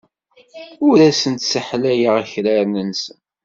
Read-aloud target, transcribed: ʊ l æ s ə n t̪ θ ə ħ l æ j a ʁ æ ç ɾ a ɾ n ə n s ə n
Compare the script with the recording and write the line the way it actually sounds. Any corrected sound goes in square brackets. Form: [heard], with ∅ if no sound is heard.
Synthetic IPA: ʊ [ɾ] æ s ə n t̪ [s] ə ħ l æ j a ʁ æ ç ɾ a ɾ n ə n s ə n